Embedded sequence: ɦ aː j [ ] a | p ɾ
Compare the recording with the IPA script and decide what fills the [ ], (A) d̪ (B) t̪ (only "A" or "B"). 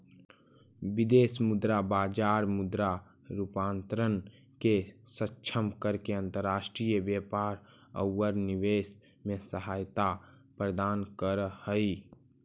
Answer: B